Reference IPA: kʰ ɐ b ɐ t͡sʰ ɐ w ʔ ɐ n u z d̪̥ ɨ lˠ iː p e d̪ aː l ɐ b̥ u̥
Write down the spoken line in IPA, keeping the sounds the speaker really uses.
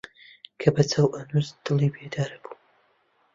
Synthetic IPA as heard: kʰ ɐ b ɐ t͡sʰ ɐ w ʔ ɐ n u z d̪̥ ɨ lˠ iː b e d̪ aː ɾ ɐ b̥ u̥